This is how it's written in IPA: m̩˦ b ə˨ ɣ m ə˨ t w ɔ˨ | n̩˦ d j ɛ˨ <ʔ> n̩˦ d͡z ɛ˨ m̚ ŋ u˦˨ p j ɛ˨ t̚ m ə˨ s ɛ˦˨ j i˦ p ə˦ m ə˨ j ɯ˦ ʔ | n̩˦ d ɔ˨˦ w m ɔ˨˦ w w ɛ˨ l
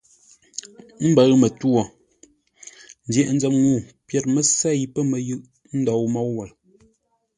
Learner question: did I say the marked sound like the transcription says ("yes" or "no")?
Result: yes